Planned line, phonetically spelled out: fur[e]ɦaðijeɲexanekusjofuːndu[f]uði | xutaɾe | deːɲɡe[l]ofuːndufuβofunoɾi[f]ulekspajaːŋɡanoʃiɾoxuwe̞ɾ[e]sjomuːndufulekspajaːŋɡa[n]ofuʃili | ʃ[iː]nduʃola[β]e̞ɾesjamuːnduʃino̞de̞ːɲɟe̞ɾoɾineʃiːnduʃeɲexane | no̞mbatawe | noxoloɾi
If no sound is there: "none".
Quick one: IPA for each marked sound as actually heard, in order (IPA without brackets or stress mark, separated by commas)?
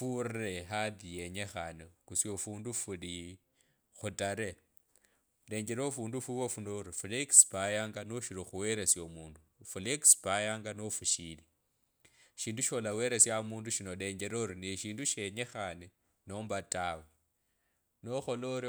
e, f, ɾ, f, e, n, iː, w